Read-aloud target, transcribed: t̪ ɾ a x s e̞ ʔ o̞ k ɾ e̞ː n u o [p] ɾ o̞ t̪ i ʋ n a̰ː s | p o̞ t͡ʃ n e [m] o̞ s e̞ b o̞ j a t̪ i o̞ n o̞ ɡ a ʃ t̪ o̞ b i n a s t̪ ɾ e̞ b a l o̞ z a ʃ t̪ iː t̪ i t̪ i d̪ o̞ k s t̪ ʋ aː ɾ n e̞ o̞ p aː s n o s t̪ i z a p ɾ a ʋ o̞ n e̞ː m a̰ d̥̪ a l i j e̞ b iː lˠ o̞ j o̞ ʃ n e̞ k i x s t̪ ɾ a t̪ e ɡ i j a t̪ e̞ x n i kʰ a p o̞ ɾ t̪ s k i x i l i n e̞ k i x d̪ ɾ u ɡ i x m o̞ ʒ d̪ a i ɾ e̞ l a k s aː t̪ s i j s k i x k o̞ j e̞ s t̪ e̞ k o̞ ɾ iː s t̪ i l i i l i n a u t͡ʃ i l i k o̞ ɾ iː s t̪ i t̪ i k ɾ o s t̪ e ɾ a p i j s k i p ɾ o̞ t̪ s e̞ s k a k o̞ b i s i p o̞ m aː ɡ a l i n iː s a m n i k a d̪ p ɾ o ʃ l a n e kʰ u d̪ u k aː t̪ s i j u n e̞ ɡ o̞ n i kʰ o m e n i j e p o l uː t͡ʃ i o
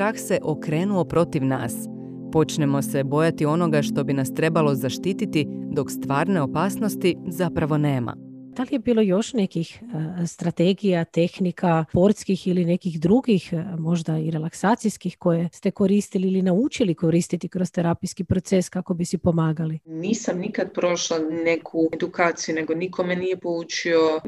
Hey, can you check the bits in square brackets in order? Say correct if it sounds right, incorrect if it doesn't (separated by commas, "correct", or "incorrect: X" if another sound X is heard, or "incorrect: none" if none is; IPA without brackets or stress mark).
correct, correct